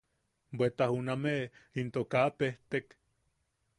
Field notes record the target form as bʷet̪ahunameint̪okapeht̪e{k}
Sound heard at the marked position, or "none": k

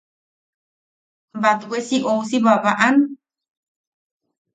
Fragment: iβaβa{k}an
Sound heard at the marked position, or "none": ʔ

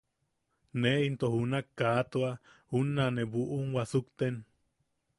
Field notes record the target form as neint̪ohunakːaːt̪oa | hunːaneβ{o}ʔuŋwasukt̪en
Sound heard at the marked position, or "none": u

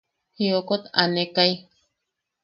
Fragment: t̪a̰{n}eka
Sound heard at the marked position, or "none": n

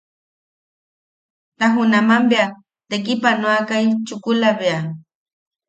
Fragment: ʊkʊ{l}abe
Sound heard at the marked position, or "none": l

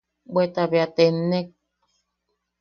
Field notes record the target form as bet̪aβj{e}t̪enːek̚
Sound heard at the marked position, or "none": a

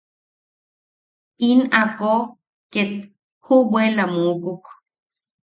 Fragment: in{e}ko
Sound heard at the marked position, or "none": a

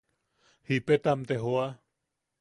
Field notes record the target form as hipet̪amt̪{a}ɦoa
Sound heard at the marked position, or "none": e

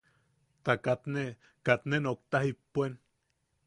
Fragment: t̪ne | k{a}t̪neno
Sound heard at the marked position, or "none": a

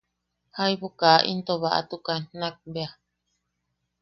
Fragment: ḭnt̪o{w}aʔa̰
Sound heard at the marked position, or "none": β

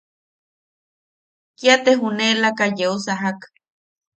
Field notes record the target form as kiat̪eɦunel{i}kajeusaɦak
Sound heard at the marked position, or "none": a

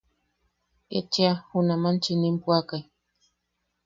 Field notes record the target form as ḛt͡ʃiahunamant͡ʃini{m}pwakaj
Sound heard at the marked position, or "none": m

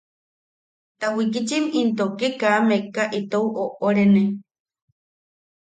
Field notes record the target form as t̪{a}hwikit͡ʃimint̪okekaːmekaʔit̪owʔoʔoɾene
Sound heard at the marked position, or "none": a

